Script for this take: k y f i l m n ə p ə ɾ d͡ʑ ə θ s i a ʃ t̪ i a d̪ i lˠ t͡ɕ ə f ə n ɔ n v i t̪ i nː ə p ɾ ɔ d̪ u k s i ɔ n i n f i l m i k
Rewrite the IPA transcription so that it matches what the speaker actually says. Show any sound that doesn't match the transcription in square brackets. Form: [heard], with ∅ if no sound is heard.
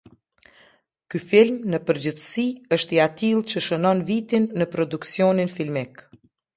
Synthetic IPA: k y f i l m n ə p ə ɾ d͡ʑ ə θ s i [ə] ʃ t̪ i a [t̪] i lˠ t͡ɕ ə [ʃ] ə n ɔ n v i t̪ i nː ə p ɾ ɔ d̪ u k s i ɔ n i n f i l m i k